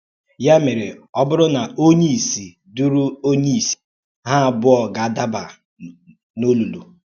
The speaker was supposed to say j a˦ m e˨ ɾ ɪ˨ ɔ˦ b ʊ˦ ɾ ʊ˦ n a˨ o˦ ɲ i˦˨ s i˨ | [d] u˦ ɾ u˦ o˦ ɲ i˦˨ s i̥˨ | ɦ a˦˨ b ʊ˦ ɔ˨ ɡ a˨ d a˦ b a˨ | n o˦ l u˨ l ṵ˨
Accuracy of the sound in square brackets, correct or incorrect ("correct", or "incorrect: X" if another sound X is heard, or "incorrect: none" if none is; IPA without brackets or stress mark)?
correct